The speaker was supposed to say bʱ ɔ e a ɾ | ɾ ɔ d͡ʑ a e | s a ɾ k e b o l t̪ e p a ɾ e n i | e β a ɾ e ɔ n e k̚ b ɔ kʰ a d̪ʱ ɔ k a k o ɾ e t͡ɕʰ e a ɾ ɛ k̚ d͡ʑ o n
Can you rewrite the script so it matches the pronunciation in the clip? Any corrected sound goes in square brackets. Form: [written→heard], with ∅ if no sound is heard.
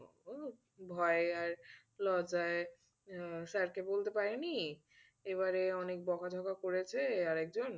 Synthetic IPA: bʱ ɔ e a ɾ | [ɾ→l] ɔ d͡ʑ a e | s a ɾ k e b o l t̪ e p a ɾ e n i | e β a ɾ e ɔ n e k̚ b ɔ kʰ a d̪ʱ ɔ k a k o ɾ e t͡ɕʰ e a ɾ ɛ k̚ d͡ʑ o n

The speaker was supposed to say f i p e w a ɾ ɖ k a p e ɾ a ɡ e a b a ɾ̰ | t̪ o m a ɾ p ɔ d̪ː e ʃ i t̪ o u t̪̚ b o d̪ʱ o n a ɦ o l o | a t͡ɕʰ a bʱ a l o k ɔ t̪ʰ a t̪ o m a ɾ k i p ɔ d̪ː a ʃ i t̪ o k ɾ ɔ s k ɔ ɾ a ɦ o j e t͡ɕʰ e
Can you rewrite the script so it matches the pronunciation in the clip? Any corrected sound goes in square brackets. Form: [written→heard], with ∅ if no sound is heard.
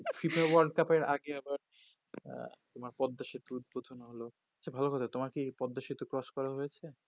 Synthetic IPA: f i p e w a ɾ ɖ k a p e ɾ a ɡ e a b a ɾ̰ | t̪ o m a ɾ p ɔ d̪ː [e→a] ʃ i t̪ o u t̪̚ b o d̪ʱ o n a ɦ o l o | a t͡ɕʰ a bʱ a l o k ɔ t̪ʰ a t̪ o m a ɾ k i p ɔ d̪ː a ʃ i t̪ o k ɾ ɔ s k ɔ ɾ a ɦ o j e t͡ɕʰ e

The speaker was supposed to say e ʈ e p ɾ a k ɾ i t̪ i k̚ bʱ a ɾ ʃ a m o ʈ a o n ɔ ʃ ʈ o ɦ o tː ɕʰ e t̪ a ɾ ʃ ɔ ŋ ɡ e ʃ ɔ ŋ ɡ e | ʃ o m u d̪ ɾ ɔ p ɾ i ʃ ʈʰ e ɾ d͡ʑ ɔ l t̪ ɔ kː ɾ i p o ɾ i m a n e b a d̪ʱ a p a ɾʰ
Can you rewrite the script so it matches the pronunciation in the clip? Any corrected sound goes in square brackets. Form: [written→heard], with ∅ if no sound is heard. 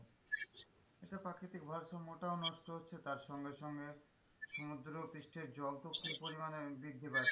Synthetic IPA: e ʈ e p ɾ a k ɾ i t̪ i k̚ bʱ a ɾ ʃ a m o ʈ a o n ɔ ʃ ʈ o ɦ o tː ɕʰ e t̪ a ɾ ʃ ɔ ŋ ɡ e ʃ ɔ ŋ ɡ e | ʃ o m u d̪ ɾ [ɔ→o] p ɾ i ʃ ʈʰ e ɾ d͡ʑ ɔ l t̪ [ɔ→o] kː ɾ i p o ɾ i m a n e b [a→i] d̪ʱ [a→i] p a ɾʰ

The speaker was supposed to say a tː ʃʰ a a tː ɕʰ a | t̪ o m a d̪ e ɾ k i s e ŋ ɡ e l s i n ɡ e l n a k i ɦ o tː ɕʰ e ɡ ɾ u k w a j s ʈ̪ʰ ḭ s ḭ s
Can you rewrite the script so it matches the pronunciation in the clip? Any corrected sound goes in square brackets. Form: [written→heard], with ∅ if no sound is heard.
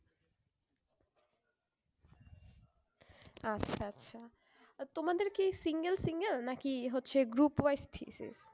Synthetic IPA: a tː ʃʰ a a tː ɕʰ a | t̪ o m a d̪ e ɾ k i s [e→i] ŋ ɡ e l s i [n→ŋ] ɡ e l n a k i ɦ o tː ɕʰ e ɡ ɾ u [k→p] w a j s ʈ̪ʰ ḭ s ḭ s

